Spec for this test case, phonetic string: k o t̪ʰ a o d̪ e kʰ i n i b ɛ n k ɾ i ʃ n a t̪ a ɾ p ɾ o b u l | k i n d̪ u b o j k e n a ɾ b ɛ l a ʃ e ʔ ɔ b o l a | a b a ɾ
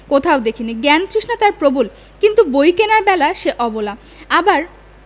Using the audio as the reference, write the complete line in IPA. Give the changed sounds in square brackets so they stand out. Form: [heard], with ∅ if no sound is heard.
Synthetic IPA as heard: k o t̪ʰ a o d̪ e kʰ i n i [ɡ] ɛ n k ɾ i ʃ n a t̪ a ɾ p ɾ o b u l | k i n [t̪] u b o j k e n a ɾ b ɛ l a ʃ e ʔ ɔ b o l a | a b a ɾ